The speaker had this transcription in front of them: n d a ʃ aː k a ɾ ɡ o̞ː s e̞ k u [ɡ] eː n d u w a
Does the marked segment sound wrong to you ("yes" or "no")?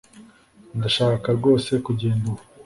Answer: yes